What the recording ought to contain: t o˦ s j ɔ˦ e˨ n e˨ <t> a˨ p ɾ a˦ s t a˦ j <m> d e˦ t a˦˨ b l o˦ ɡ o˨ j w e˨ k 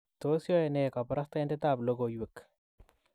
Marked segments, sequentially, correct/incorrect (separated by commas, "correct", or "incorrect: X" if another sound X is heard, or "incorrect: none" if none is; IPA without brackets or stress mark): incorrect: k, incorrect: n